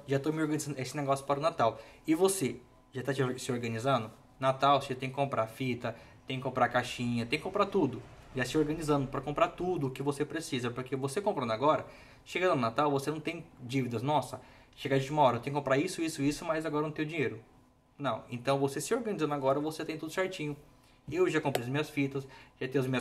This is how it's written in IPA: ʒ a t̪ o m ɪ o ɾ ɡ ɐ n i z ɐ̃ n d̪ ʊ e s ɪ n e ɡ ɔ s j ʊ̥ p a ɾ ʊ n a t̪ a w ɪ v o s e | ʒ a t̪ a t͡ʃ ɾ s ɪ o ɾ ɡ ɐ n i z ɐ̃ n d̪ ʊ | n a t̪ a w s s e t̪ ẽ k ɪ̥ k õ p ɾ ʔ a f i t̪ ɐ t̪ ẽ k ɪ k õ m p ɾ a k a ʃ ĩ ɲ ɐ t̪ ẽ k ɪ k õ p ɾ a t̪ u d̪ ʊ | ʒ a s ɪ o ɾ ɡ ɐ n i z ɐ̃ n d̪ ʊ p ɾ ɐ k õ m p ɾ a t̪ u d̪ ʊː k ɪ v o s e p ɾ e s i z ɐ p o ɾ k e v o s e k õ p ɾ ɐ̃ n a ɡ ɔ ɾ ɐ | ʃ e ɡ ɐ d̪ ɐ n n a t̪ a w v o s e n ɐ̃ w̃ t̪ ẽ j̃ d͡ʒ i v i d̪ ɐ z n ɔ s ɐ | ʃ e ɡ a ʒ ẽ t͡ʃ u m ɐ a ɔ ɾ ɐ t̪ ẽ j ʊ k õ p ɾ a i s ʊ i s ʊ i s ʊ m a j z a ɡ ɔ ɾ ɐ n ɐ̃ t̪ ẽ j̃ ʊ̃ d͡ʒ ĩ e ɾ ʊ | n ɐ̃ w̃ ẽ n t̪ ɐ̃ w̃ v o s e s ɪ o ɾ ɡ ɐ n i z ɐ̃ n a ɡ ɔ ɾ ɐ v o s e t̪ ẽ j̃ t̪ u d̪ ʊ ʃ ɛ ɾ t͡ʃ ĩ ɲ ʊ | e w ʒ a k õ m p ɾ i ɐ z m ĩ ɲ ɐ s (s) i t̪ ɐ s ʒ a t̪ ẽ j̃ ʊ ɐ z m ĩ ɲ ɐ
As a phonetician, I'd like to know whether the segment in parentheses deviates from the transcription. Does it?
yes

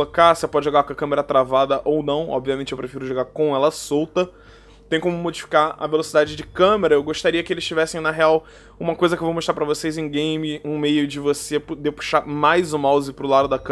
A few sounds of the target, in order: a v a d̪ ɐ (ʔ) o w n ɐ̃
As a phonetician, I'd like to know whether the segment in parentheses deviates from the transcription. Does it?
no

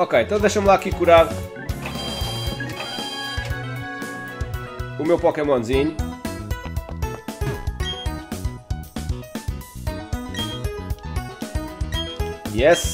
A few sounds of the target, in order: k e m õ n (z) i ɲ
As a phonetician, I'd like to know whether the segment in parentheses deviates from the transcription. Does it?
no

